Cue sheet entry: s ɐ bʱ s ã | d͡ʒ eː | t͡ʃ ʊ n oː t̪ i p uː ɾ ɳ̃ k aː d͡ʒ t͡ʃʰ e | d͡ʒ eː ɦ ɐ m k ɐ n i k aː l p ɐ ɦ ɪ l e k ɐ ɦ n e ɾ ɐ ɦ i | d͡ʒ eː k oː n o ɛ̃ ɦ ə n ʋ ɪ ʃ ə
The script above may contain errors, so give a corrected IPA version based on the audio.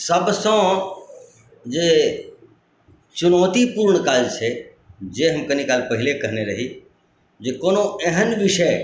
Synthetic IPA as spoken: s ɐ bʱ s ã | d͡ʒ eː | t͡ʃ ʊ n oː t̪ i p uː ɾ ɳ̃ k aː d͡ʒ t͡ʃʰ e | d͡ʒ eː ɦ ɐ m k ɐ n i k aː l p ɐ ɦ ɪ l e k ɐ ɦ n e ɾ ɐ ɦ i | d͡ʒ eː k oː n o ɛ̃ ɦ ə n ʋ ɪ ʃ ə